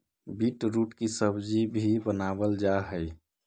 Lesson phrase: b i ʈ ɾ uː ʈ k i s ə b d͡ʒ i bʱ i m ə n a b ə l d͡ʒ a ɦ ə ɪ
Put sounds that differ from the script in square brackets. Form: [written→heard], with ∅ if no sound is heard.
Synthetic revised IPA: b i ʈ ɾ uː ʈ k i s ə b d͡ʒ i bʱ i [m→b] ə n a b ə l d͡ʒ a ɦ ə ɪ